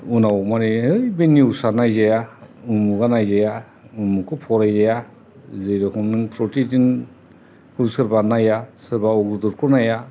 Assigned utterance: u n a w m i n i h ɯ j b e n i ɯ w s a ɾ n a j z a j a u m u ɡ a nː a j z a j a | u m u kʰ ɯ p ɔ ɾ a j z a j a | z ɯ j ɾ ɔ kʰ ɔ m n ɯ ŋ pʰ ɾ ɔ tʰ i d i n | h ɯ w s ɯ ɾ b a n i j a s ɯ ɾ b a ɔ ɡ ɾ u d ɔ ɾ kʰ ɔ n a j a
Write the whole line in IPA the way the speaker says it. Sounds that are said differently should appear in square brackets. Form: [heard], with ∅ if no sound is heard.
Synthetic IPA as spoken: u n a w m [a] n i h ɯ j b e n i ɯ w s a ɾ n a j z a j a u m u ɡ a [n] a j z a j a | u m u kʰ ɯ [pʰ] ɔ ɾ a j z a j a | z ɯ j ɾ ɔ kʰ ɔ m n ɯ ŋ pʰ ɾ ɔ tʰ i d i n | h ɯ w s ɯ ɾ b a n [a] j a s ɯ ɾ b a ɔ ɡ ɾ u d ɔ ɾ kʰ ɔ n a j a